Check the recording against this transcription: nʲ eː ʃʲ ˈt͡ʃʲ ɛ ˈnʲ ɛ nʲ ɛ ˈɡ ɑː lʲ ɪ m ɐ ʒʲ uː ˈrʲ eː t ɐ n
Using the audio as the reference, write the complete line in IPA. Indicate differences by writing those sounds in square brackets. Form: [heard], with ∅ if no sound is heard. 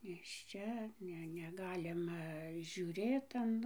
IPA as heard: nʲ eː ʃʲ ˈt͡ʃʲ ɛ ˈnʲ ɛ nʲ ɛ ˈɡ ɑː lʲ ɪ m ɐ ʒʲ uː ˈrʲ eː t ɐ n